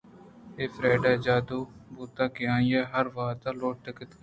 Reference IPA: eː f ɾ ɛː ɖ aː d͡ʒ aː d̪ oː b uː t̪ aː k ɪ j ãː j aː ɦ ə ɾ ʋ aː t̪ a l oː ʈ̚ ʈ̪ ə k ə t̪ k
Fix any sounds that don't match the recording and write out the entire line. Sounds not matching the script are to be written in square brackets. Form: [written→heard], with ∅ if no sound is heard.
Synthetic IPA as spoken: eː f ɾ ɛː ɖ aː d͡ʒ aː d̪ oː b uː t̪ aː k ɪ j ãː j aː ɦ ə ɾ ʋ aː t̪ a l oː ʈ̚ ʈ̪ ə k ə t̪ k